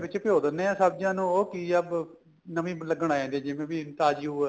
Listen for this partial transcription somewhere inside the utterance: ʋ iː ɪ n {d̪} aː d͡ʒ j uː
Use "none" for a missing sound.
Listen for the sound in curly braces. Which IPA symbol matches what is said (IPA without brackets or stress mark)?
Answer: t̪